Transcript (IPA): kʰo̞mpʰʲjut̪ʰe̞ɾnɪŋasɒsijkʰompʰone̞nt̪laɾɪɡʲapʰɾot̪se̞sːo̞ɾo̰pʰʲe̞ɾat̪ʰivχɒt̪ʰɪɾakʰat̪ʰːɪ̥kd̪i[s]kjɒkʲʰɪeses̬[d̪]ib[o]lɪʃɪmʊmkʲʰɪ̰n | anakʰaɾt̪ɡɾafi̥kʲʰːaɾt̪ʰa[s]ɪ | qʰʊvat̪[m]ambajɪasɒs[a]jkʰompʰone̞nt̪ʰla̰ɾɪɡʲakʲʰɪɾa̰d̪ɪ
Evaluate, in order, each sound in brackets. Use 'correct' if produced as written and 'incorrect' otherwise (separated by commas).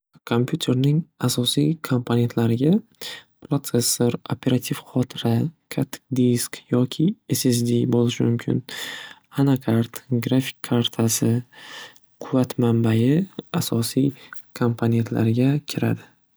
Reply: correct, correct, correct, correct, correct, incorrect